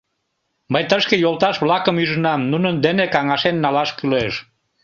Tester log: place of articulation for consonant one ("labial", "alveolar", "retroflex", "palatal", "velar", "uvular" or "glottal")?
labial